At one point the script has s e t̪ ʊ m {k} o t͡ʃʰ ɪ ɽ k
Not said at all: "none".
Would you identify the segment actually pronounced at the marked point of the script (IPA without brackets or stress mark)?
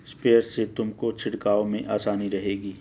k